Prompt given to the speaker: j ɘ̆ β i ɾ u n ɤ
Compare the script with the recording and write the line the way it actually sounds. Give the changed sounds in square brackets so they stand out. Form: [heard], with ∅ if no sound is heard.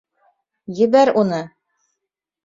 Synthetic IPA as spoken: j ɘ̆ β [æ] ɾ u n ɤ